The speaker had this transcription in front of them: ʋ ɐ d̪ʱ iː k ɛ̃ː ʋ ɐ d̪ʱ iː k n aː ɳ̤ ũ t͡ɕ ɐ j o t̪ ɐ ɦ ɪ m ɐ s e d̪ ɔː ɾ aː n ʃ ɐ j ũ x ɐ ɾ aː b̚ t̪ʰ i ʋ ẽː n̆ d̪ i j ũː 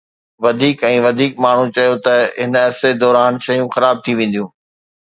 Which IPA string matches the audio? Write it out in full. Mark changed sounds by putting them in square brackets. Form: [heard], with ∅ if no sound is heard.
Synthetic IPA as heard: ʋ ɐ d̪ʱ iː k ɛ̃ː ʋ ɐ d̪ʱ iː k [m] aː ɳ̤ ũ t͡ɕ ɐ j o t̪ ɐ ɦ ɪ [n] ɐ s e d̪ ɔː ɾ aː n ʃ ɐ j ũ x ɐ ɾ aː b̚ t̪ʰ i ʋ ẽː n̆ d̪ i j ũː